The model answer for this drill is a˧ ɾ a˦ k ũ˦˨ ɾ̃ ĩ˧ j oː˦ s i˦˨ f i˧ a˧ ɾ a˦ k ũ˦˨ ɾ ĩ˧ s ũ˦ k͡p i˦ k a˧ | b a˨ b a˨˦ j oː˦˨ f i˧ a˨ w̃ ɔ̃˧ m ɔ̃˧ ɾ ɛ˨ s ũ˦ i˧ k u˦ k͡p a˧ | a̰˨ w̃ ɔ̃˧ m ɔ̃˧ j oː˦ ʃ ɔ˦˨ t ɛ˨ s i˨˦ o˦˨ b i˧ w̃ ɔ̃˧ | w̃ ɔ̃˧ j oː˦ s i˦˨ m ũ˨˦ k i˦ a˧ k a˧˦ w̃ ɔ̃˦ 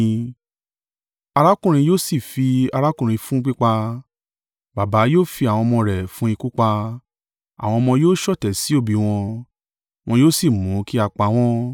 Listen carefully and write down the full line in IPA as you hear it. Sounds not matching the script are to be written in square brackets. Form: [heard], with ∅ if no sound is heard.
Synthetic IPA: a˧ ɾ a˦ k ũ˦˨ ɾ̃ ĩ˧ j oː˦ s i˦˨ f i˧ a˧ ɾ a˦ k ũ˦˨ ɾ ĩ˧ [f] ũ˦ k͡p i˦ [k͡p] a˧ | b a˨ b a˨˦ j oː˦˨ f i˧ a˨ w̃ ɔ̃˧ m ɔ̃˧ ɾ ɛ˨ [f] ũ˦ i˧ k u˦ k͡p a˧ | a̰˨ w̃ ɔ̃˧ m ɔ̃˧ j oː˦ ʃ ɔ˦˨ t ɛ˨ s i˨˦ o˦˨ b i˧ w̃ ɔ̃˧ | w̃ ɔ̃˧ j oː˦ s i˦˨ m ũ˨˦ k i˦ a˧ [k͡p] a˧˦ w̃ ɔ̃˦